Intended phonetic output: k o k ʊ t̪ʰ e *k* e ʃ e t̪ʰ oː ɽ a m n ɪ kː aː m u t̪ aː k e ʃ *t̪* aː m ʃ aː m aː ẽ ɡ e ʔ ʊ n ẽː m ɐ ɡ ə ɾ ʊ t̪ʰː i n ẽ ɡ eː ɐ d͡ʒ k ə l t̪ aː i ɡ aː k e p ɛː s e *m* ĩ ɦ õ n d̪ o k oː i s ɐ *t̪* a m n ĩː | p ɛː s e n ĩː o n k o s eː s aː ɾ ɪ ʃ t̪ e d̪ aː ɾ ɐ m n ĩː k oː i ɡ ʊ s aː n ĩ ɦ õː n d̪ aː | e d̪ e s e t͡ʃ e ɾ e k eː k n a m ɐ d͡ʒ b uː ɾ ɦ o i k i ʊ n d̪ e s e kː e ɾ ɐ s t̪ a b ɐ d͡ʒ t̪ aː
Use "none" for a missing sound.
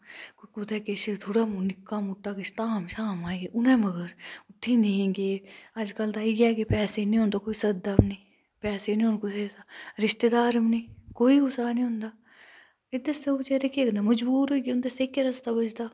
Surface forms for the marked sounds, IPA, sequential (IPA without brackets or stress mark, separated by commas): k, t̪, n, d̪